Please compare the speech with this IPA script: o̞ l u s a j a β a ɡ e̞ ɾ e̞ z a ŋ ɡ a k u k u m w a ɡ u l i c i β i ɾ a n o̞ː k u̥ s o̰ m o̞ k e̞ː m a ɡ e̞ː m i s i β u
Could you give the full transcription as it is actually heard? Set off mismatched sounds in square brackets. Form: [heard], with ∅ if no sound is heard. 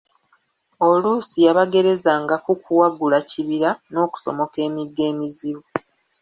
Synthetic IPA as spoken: o̞ l u s [i] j a β a ɡ e̞ ɾ e̞ z a ŋ ɡ a k u k u [∅] w a ɡ u l [a] c i β i ɾ a n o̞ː k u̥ s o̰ m o̞ k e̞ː m [i] ɡ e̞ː m i [z] i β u